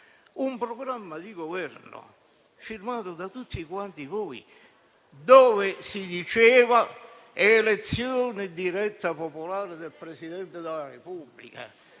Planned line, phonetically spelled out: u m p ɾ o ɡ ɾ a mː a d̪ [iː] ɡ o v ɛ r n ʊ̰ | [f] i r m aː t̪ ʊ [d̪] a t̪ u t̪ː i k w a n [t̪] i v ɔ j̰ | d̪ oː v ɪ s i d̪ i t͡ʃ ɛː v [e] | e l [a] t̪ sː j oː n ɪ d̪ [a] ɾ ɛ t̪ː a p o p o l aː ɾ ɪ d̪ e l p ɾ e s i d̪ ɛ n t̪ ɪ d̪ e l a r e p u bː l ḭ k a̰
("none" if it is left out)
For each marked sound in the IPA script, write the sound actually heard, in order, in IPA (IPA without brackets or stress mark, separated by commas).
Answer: i, f, d̪, t̪, a, e, i